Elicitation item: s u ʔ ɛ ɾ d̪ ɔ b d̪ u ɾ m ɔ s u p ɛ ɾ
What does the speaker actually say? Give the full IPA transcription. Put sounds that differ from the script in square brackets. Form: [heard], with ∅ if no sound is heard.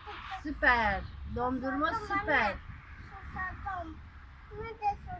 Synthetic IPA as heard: s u [p] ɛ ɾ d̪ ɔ [m] d̪ u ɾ m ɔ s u p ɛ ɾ